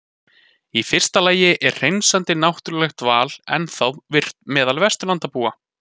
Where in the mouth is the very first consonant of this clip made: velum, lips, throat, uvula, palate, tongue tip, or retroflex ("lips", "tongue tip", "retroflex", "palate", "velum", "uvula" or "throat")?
lips